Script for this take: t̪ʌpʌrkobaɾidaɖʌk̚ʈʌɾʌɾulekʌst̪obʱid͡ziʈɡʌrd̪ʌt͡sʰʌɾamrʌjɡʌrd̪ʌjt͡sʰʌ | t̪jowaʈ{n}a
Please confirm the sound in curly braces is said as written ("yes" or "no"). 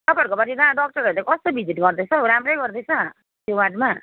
no